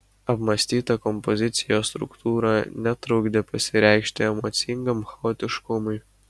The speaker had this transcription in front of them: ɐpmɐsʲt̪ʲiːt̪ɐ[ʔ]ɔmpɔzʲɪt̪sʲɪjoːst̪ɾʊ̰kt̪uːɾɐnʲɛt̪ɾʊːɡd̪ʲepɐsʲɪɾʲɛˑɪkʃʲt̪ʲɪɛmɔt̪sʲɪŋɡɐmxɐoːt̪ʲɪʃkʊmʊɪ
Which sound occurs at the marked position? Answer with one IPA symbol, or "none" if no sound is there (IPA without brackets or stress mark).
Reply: k